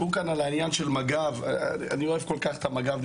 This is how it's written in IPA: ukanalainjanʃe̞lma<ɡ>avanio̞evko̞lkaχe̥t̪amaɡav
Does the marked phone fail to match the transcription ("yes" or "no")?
no